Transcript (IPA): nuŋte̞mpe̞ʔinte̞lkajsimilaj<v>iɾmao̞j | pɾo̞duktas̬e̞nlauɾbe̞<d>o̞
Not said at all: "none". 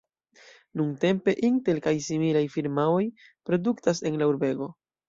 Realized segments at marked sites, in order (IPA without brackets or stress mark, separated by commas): f, ɡ